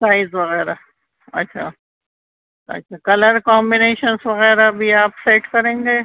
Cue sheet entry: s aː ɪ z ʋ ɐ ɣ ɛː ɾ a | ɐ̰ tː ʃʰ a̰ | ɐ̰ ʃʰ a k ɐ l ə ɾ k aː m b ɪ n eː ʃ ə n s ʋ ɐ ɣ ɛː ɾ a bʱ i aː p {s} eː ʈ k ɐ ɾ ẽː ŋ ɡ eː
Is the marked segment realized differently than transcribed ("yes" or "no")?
no